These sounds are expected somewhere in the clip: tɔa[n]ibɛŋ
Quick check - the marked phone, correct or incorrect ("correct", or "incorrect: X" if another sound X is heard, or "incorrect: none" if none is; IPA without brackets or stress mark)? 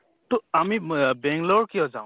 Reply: incorrect: m